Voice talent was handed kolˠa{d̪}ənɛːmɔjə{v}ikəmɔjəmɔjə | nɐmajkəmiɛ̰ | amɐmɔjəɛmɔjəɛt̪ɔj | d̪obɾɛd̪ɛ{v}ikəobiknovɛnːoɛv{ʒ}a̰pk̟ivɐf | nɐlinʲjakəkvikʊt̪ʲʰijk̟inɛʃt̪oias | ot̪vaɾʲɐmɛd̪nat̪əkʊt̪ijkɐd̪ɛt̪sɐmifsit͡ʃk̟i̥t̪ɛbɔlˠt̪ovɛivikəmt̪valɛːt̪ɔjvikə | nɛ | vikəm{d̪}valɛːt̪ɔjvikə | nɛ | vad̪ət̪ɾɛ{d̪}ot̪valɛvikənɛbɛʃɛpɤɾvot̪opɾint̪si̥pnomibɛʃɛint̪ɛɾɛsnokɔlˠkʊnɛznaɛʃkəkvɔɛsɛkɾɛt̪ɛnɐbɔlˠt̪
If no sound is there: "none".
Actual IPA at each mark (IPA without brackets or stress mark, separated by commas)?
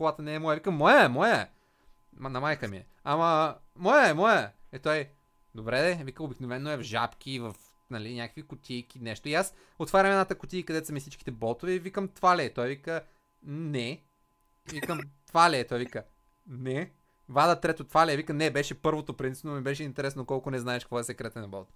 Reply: t̪, v, v, ʒ, t̪, t̪